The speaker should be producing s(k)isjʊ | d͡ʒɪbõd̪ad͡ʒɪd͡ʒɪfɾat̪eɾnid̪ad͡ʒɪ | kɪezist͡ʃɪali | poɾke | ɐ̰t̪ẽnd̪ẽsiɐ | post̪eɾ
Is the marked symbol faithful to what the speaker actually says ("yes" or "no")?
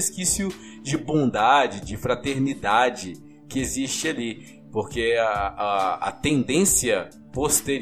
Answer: yes